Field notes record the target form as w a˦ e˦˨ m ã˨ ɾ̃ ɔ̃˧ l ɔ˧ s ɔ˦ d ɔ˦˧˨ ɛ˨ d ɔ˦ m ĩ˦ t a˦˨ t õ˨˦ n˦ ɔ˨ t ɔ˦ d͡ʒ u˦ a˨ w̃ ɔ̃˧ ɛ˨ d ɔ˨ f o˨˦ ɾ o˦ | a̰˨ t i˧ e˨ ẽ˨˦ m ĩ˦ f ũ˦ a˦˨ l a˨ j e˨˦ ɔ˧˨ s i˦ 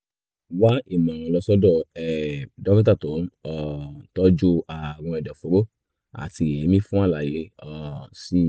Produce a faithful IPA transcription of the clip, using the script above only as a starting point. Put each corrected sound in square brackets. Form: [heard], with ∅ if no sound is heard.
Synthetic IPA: w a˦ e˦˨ m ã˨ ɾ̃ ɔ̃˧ l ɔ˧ s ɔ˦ d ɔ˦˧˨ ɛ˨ d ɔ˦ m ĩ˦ t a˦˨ t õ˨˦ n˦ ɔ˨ t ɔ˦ d͡ʒ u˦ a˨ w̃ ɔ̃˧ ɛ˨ d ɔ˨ f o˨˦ ɾ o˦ | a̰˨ t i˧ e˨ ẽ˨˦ m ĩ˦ f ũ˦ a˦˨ l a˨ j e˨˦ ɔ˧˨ s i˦